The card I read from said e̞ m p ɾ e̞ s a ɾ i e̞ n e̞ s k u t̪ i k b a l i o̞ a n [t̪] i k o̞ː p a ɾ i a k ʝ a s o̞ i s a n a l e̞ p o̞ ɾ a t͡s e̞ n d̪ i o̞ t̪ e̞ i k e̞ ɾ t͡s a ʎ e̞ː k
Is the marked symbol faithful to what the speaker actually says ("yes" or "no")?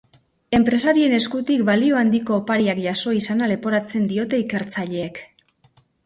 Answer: no